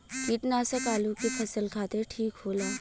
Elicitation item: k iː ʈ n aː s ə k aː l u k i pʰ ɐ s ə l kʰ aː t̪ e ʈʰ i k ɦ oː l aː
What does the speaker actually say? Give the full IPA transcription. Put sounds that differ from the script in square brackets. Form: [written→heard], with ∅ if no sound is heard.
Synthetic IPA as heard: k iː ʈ n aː s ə k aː l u k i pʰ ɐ s ə l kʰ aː t̪ e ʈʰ [i→iː] k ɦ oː l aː